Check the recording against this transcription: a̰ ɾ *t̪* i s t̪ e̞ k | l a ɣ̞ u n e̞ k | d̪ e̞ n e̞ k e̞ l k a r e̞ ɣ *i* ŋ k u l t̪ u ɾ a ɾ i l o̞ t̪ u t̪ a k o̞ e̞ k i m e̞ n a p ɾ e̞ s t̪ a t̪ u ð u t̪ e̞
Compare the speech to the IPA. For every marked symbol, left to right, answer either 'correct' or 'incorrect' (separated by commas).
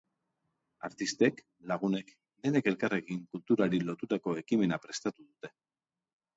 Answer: correct, correct